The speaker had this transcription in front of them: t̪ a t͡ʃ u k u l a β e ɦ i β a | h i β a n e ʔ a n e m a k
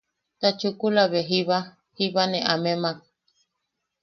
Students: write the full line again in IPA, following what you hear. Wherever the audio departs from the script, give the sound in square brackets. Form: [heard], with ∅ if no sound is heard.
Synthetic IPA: t̪ a t͡ʃ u k u l a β e ɦ i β a | h i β a n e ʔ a [m] e m a k